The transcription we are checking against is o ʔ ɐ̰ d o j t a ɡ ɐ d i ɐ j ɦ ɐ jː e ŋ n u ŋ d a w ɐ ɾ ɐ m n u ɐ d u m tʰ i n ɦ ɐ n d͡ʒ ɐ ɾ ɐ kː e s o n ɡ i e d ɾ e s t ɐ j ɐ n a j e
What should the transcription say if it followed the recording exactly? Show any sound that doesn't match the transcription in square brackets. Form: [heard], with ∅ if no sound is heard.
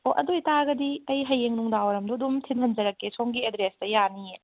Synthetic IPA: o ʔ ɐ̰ d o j t a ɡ ɐ d i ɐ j ɦ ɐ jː e ŋ n u ŋ d a w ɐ ɾ ɐ m [d] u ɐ d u m tʰ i n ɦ ɐ n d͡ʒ ɐ ɾ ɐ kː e s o [ŋ] ɡ i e d ɾ e s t ɐ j [a] n [i] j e